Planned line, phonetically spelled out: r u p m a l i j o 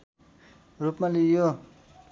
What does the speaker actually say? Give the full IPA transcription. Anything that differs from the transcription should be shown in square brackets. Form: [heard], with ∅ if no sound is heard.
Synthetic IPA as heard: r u p m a l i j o